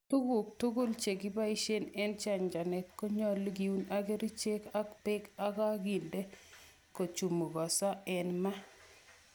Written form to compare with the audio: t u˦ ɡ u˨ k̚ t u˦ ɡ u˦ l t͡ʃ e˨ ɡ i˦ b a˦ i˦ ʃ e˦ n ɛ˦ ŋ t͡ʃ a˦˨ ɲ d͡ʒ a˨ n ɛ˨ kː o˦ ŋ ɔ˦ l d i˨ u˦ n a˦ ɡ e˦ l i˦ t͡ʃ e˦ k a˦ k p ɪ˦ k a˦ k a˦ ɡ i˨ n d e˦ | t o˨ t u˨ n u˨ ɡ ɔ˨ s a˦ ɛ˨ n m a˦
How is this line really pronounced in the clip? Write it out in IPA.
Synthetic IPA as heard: t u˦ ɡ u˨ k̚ t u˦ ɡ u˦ l t͡ʃ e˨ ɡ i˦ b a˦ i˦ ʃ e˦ n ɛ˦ n t͡ʃ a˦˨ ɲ d͡ʒ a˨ n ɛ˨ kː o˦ ɲ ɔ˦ l ɡ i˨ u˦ n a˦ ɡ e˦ ɾ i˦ t͡ʃ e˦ k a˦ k p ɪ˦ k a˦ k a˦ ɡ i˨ n d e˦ | k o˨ t͡ʃ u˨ m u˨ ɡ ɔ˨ s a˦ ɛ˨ n m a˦